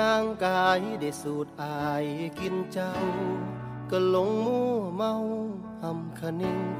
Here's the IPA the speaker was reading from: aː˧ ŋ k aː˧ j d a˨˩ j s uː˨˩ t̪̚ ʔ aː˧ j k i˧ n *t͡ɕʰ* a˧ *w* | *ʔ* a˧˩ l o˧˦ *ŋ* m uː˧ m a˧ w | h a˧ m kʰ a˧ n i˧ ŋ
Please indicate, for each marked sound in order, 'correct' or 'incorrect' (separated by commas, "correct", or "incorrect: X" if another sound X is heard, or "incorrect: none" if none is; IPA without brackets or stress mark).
incorrect: t͡ɕ, correct, incorrect: k, correct